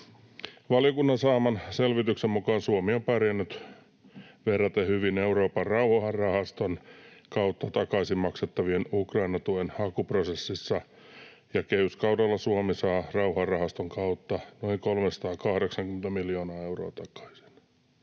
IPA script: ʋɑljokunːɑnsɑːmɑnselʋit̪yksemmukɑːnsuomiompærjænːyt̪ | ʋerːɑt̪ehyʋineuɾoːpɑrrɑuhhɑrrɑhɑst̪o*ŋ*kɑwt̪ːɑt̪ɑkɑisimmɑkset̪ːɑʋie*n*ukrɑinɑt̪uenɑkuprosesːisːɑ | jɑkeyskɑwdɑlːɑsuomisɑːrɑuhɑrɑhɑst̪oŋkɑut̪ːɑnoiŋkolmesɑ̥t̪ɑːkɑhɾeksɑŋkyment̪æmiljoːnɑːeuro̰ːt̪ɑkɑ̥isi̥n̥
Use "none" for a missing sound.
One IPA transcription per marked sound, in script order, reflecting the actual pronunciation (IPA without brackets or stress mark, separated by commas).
n, n